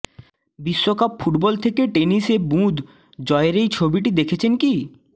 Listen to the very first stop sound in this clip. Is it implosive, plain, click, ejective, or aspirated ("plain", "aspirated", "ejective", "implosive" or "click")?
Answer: plain